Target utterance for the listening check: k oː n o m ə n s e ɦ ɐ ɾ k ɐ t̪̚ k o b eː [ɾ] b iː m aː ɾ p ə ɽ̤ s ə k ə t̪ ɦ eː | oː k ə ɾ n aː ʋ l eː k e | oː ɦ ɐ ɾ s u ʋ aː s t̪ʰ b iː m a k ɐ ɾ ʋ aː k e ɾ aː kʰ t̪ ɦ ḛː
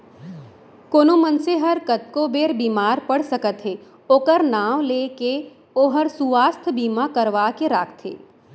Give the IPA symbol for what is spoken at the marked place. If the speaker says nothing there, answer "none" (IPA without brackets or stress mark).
ɾ